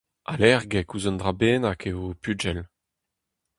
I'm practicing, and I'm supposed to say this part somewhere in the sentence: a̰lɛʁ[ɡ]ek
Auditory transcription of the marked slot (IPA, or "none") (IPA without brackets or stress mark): ɡ